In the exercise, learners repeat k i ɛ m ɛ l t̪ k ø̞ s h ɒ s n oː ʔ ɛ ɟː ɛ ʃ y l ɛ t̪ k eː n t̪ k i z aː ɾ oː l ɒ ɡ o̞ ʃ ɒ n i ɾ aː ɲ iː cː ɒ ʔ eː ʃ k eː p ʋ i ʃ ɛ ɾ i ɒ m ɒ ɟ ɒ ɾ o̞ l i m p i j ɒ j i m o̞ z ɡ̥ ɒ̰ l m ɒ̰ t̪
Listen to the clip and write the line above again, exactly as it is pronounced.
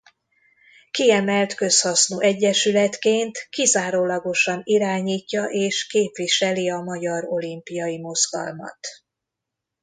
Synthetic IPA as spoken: k i ɛ m ɛ l t̪ k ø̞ s h ɒ s n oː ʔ ɛ ɟː ɛ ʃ y l ɛ t̪ k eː n t̪ k i z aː ɾ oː l ɒ ɡ o̞ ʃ ɒ n i ɾ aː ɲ iː cː ɒ ʔ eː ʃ k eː p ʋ i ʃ ɛ l i ɒ m ɒ ɟ ɒ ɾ o̞ l i m p i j ɒ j i m o̞ z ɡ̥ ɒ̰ l m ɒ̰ t̪